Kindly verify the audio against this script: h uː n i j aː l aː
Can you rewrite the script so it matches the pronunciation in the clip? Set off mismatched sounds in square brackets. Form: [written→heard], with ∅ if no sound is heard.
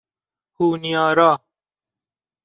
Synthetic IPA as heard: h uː n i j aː [l→ɾ] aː